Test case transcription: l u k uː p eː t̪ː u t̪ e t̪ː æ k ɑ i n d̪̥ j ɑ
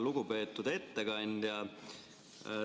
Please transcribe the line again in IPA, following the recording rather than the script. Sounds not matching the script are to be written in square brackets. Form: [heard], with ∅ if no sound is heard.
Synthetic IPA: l u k [u] p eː t̪ː u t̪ e t̪ː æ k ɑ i n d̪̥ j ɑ